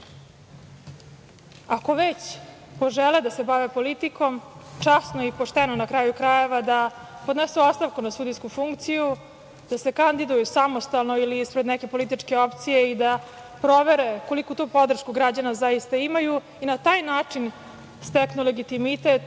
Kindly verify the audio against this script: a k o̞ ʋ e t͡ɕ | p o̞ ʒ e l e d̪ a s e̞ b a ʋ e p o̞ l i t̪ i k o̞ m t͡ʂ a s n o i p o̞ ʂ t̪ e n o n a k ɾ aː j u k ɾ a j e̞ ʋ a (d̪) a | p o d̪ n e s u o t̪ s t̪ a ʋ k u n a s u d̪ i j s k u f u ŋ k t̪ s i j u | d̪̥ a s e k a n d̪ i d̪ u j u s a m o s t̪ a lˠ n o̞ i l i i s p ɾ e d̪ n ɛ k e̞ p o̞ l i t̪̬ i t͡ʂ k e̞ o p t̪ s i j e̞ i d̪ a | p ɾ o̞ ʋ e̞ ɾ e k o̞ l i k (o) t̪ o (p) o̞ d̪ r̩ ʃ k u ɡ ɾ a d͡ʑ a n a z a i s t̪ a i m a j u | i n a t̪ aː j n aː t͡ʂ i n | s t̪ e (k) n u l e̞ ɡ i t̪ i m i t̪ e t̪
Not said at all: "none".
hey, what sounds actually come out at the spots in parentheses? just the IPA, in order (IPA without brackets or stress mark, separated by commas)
d̪, u, p, k